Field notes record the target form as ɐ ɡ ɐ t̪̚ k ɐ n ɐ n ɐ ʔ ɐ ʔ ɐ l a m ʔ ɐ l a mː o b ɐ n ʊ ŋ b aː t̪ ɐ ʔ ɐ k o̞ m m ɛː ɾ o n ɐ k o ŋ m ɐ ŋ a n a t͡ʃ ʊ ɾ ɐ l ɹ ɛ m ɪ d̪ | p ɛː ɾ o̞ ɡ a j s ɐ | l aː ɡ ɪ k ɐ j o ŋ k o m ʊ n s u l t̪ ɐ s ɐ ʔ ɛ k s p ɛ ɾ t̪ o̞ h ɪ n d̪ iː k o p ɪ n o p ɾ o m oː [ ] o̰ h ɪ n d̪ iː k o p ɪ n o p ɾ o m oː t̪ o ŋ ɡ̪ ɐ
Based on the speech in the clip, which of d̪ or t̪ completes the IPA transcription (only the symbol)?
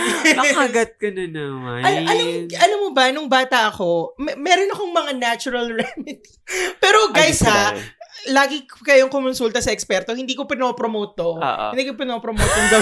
t̪